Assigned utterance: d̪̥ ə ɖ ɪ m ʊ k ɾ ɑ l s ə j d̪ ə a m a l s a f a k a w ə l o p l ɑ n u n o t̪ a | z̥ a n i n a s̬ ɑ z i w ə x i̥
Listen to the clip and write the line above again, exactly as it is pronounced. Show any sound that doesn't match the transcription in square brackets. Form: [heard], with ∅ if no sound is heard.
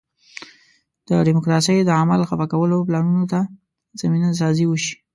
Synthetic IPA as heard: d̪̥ ə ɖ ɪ m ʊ k ɾ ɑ [∅] s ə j d̪ ə a m a l [x] a f a k a w ə l o p l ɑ n u n o t̪ a | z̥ a [m] i n a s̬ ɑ z i w ə [ʃ] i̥